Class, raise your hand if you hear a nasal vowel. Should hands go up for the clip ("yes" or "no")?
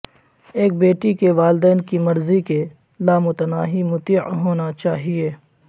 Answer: no